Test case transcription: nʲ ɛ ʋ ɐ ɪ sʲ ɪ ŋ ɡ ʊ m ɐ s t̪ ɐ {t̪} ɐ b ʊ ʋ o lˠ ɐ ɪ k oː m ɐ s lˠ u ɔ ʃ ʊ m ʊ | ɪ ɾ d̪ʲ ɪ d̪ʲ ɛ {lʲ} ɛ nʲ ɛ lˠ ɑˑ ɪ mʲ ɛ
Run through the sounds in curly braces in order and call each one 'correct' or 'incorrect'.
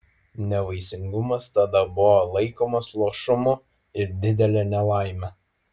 incorrect: d̪, correct

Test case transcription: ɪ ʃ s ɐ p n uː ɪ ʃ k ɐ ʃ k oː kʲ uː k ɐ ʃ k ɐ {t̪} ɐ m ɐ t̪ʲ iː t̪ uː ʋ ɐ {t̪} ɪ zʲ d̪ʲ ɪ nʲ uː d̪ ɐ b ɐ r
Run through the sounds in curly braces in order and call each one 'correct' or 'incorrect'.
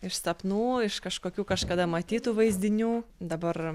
incorrect: d̪, incorrect: none

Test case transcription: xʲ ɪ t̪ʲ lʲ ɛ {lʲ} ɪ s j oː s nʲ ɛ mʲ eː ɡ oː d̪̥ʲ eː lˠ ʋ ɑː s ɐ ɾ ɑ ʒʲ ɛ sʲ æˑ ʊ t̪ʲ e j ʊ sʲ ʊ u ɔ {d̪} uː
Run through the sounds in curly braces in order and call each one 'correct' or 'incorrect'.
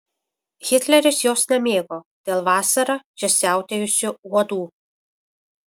incorrect: ɾʲ, correct

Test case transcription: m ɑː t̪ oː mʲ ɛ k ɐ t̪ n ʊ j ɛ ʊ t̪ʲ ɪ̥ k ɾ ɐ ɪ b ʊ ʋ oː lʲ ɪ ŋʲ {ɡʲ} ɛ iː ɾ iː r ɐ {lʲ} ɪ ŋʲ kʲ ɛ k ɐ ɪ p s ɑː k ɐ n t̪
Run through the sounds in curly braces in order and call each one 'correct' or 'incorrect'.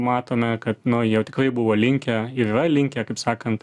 incorrect: kʲ, correct

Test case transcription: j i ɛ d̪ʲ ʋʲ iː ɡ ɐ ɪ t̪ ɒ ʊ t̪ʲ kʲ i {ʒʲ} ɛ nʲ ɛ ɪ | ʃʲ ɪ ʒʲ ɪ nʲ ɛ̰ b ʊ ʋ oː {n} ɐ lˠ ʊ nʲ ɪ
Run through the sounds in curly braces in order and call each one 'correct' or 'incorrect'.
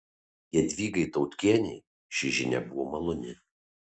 incorrect: none, incorrect: m

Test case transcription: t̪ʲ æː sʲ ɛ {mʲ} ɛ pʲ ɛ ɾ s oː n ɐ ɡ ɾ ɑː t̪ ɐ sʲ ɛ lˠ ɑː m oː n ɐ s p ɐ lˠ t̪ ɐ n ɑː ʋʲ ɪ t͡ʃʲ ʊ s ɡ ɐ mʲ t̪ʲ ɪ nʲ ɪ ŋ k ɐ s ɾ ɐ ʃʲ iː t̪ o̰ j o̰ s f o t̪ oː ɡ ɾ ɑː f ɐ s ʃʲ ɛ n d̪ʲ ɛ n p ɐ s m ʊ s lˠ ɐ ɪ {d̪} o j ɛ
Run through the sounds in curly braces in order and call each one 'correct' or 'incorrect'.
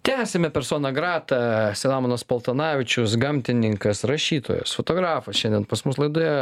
correct, correct

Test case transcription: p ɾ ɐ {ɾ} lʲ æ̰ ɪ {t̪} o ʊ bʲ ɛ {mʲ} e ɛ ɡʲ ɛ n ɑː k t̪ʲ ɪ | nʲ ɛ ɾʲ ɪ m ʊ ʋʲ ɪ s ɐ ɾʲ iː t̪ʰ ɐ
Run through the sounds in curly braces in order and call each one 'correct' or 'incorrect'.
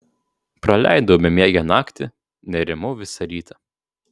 incorrect: none, incorrect: d̪, correct

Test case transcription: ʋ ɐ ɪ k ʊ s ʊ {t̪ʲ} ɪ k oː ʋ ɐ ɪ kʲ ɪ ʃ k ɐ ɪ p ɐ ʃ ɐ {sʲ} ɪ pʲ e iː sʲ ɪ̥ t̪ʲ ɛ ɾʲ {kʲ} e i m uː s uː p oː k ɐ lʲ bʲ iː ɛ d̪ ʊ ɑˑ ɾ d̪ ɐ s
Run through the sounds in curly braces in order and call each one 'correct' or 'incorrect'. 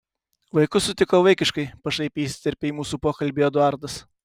correct, incorrect: none, incorrect: pʲ

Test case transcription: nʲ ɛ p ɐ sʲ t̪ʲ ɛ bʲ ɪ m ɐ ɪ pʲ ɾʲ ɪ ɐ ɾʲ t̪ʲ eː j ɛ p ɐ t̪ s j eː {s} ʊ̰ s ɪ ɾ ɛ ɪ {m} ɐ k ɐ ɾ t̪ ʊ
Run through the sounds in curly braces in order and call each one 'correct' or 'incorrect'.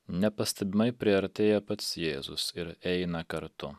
incorrect: z, incorrect: n

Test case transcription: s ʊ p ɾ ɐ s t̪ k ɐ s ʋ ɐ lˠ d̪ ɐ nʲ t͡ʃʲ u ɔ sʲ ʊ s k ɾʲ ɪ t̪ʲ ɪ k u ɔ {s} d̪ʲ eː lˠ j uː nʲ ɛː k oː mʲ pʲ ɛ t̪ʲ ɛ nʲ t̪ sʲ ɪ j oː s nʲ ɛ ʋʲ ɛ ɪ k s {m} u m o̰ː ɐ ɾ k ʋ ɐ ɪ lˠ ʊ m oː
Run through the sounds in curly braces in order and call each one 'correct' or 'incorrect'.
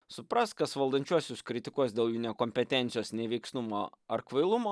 correct, incorrect: n

